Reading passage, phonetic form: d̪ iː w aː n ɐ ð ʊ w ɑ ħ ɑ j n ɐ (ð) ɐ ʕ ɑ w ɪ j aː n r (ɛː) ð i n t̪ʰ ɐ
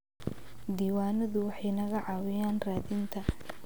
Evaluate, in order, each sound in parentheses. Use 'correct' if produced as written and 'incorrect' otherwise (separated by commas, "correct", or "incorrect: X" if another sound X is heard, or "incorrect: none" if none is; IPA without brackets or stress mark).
incorrect: ɣ, incorrect: aː